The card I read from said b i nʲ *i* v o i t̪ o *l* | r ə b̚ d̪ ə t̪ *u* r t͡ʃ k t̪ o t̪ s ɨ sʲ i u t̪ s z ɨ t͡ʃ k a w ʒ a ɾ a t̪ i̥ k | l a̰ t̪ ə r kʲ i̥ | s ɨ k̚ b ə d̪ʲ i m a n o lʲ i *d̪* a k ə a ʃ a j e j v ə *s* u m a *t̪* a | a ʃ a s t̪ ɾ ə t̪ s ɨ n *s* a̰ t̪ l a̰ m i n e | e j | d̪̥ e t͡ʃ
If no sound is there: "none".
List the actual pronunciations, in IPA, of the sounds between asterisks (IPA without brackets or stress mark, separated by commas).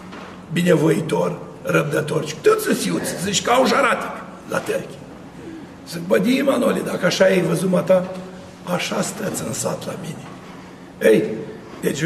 e, r, o, d̪, z, t̪, s